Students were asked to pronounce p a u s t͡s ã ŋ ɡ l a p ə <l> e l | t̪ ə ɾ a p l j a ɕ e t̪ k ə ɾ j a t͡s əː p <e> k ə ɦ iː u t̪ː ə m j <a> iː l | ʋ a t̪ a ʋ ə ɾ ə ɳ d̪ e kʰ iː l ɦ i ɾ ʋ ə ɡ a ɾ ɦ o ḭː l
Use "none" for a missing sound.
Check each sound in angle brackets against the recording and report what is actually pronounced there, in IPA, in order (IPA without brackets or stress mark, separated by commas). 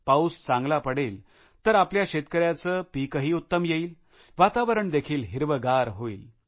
ɽ, i, e